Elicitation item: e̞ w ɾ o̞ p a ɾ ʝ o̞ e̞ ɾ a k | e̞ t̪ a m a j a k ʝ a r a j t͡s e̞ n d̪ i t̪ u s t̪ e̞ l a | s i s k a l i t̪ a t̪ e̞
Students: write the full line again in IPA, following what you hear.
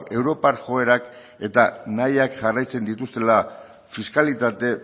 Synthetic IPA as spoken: e̞ w ɾ o̞ p a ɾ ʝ o̞ e̞ ɾ a k | e̞ t̪ a n a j a k ʝ a r a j t͡s e̞ n d̪ i t̪ u s t̪ e̞ l a | f i s k a l i t̪ a t̪ e̞